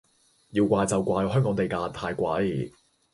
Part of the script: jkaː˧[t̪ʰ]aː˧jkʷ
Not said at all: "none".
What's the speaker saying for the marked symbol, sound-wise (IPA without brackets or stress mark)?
t̪ʰ